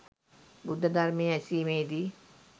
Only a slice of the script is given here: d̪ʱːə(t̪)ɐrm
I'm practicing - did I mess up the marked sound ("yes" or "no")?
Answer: yes